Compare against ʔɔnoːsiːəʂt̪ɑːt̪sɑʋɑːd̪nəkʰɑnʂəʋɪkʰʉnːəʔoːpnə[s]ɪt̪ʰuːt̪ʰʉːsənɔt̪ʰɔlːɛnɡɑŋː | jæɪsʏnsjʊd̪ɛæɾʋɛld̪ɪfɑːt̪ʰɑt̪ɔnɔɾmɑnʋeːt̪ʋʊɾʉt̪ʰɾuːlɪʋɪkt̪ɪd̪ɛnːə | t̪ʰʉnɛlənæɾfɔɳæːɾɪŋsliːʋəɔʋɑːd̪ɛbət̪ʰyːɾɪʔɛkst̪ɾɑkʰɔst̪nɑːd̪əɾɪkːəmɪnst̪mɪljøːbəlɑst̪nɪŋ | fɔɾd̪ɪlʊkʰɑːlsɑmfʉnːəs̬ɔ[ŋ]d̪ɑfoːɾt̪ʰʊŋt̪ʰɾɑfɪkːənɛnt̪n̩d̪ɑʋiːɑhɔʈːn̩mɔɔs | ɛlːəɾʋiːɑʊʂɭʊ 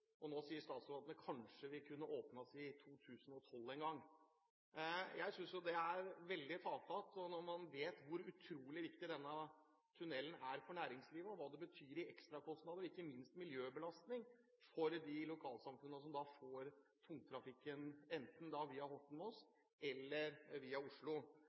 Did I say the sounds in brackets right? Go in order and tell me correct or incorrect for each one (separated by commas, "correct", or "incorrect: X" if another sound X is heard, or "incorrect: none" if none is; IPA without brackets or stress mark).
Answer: correct, incorrect: m